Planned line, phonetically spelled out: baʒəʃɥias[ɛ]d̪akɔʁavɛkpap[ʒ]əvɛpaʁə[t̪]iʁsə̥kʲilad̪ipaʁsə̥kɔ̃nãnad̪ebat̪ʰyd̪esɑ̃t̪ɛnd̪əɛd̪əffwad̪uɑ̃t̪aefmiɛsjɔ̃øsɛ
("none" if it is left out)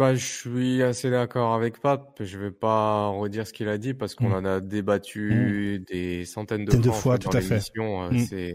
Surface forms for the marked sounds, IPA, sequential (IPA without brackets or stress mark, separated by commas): e, ʒ, d̪